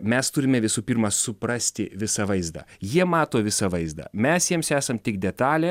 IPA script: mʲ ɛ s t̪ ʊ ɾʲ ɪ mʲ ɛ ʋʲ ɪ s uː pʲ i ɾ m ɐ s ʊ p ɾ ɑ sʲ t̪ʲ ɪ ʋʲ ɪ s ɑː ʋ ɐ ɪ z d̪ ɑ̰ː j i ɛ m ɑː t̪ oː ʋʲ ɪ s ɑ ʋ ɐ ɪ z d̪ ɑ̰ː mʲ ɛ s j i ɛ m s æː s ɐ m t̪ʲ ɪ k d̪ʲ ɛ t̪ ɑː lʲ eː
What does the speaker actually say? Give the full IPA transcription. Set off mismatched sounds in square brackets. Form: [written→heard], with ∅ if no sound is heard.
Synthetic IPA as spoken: mʲ ɛ s t̪ ʊ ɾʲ ɪ mʲ ɛ ʋʲ ɪ s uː pʲ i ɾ m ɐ s ʊ p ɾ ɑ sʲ t̪ʲ ɪ ʋʲ ɪ s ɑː ʋ ɐ ɪ z d̪ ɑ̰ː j i ɛ m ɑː t̪ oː ʋʲ ɪ s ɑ ʋ ɐ ɪ z d̪ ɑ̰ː mʲ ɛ s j i ɛ m s æː s ɐ m t̪ʲ ɪ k d̪ʲ ɛ t̪ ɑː lʲ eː